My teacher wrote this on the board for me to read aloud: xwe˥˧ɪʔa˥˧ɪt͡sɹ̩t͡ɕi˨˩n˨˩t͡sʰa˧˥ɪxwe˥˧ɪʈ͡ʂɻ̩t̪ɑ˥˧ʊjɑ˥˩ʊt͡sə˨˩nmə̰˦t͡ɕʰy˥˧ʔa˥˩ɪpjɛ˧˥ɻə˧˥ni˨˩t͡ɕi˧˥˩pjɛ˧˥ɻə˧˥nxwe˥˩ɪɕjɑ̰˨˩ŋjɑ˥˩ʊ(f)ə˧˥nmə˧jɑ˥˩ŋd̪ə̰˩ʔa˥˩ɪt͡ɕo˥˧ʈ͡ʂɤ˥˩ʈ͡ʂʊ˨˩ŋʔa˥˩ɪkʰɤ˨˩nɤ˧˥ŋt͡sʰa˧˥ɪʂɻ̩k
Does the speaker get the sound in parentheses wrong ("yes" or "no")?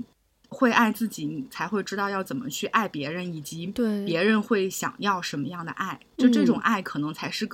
yes